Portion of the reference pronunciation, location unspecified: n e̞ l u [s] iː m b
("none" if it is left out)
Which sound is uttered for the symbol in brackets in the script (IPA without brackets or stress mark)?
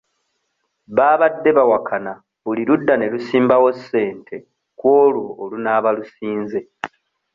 s